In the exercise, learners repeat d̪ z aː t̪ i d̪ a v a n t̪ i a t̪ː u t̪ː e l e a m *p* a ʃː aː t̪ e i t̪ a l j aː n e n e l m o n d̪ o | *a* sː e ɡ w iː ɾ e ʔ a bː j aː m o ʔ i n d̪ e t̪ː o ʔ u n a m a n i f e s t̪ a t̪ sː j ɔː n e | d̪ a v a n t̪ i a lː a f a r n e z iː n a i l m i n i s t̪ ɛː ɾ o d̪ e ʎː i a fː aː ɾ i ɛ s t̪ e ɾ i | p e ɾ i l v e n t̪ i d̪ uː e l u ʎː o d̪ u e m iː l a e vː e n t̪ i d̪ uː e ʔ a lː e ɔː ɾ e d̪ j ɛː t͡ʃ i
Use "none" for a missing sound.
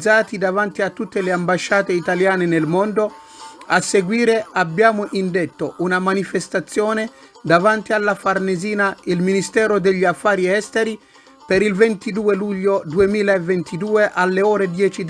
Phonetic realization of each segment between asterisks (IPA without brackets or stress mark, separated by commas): b, a